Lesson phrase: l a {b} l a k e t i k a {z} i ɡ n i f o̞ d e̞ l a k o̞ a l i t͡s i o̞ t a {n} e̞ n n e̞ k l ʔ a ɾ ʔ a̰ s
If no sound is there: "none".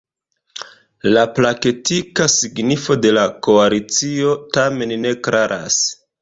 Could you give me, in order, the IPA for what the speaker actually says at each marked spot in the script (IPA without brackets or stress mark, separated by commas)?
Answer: p, s, m